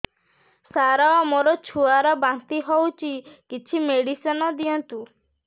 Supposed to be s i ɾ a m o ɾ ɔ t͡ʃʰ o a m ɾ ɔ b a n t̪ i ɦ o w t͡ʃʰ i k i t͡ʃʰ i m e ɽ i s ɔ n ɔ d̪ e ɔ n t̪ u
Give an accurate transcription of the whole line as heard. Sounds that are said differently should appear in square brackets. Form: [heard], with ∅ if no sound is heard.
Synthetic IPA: s [a] ɾ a m o ɾ ɔ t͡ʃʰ [u] a [∅] ɾ ɔ b a n t̪ i ɦ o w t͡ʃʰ i k i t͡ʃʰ i m e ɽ i s ɔ n ɔ d̪ [i] ɔ n t̪ u